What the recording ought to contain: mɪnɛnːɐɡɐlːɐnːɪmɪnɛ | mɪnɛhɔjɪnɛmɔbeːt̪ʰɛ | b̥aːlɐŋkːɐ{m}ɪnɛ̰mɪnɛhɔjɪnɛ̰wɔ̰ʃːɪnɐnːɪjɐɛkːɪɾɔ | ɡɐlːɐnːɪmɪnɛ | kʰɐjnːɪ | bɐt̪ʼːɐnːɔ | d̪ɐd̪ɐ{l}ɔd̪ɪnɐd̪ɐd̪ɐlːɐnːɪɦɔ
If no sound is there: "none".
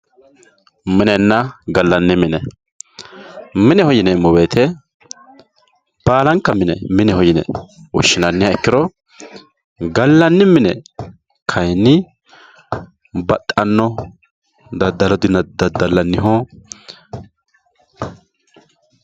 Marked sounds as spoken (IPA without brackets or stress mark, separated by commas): m, l